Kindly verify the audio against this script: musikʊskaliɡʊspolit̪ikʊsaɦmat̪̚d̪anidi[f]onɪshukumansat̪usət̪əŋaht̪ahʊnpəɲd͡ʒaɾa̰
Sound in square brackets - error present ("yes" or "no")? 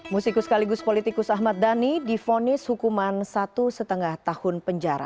no